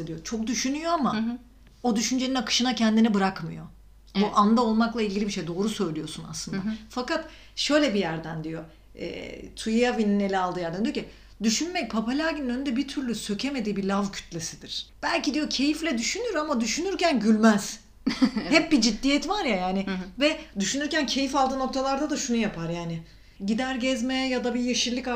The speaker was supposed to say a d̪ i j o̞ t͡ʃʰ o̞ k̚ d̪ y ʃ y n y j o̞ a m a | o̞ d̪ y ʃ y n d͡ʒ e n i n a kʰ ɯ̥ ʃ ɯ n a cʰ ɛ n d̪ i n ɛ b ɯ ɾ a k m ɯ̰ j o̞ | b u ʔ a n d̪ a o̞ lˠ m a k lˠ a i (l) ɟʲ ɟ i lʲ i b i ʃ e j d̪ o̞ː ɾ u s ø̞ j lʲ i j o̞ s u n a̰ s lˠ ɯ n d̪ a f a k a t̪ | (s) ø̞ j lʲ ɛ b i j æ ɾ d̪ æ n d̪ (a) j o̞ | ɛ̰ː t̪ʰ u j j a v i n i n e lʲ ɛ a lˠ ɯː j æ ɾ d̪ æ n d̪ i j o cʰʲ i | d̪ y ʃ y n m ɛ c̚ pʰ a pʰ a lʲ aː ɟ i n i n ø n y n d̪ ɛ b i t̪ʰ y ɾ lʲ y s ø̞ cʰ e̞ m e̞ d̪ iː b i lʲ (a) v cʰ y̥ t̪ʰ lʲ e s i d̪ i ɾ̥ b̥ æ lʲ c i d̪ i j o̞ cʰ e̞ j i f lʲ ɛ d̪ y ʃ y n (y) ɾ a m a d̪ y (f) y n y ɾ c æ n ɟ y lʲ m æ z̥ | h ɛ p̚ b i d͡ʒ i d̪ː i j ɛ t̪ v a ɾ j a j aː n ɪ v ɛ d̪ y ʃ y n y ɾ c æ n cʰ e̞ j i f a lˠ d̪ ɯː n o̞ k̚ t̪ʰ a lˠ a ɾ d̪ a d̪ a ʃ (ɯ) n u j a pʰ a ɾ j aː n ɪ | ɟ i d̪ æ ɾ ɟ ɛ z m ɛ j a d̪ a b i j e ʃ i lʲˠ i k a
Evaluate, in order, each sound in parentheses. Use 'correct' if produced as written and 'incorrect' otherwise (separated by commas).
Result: correct, incorrect, incorrect, correct, correct, incorrect, incorrect